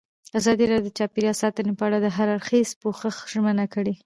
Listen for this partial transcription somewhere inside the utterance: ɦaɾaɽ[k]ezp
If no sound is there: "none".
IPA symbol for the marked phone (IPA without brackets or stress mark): x